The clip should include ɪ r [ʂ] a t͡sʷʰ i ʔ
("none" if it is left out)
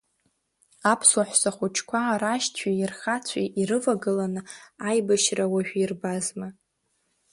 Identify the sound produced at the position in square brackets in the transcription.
χ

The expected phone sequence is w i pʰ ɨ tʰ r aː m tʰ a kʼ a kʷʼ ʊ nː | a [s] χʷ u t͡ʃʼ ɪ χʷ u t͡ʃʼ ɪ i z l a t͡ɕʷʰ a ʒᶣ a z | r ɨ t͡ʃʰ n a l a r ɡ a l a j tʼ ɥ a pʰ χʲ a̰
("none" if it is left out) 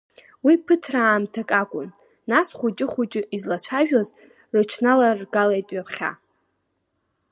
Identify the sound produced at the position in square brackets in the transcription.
s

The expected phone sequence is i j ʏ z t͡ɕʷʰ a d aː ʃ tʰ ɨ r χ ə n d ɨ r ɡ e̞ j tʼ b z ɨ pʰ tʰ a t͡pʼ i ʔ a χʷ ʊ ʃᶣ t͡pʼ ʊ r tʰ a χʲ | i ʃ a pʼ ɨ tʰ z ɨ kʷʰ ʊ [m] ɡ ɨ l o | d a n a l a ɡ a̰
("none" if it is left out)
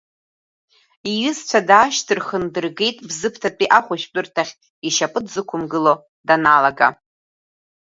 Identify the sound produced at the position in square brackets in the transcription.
m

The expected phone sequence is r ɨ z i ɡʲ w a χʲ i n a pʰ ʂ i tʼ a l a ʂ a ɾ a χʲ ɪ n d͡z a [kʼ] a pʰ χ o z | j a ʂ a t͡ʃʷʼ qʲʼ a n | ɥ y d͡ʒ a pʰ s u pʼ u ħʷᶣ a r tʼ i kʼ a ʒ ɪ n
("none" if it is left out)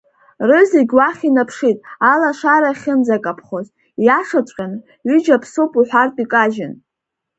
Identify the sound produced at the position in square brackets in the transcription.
kʼ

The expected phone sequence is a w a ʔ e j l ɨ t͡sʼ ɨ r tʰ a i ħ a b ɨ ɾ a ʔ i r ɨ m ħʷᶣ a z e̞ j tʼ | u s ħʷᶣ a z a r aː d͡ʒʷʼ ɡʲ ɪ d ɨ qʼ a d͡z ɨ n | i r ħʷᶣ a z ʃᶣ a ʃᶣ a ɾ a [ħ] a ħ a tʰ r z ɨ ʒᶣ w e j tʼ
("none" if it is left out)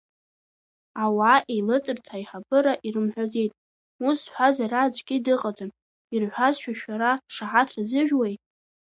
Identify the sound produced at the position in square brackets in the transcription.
ʂ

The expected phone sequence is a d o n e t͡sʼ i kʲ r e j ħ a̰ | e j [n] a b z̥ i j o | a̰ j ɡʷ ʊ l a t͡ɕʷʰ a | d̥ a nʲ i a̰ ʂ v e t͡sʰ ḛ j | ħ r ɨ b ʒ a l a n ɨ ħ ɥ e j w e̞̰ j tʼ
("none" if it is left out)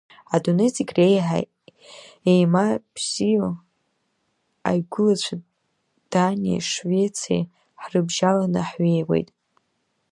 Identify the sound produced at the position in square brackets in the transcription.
m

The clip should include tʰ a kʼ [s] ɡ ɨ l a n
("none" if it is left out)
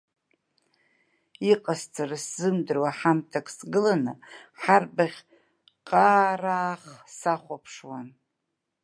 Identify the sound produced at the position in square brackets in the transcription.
s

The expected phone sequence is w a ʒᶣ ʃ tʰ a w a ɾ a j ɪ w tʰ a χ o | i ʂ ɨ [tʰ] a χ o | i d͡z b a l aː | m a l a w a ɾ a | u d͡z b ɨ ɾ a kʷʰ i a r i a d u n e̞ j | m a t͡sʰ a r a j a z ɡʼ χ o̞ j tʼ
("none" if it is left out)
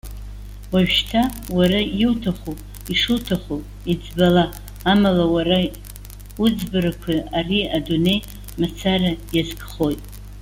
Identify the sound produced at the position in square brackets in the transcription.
tʰ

